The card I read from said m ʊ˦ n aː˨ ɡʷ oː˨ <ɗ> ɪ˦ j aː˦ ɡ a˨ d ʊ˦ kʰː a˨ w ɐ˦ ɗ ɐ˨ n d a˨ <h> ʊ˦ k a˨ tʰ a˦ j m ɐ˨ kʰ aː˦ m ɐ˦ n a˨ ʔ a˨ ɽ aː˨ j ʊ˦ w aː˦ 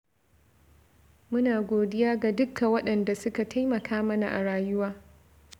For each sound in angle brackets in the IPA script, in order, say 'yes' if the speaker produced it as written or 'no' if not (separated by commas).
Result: no, no